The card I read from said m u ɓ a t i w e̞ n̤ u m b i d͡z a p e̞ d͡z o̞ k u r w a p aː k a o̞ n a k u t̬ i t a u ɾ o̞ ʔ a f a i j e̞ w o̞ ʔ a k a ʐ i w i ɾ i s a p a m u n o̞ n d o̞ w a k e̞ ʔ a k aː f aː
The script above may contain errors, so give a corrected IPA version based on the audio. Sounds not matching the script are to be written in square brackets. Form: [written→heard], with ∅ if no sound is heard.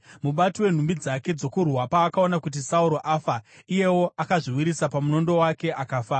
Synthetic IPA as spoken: m u ɓ a t i w e̞ n̤ u m b i d͡z a [p→k] e̞ d͡z o̞ k u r w a p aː k a o̞ n a k u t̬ i [t→s] a u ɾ o̞ ʔ a f a i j e̞ w o̞ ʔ a k a ʐ i w i ɾ i s a p a m u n o̞ n d o̞ w a k e̞ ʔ a k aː f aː